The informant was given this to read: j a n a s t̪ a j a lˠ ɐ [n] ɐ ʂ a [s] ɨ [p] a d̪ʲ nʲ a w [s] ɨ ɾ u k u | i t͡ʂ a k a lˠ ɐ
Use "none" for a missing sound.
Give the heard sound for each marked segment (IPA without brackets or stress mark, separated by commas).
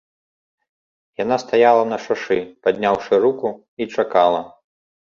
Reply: n, ʂ, p, ʂ